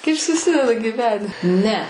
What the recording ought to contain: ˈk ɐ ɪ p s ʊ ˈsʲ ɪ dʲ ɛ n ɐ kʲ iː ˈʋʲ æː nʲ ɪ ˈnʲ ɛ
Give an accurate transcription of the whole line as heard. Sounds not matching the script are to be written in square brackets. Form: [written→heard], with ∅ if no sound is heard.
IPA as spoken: ˈk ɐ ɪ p s ʊ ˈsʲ ɪ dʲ ɛ [n→d] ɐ [kʲ→ɡʲ] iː ˈʋʲ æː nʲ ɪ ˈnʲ ɛ